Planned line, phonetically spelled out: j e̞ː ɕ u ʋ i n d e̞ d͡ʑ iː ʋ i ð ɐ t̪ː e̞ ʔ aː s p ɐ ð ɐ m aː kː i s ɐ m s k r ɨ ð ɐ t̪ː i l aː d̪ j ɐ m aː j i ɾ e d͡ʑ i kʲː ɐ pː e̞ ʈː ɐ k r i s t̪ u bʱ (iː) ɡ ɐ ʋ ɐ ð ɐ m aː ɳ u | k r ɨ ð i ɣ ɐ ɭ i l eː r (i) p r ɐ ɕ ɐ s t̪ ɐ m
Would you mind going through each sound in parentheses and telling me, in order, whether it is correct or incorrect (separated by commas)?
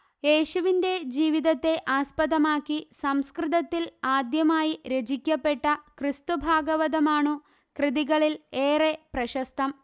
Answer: incorrect, incorrect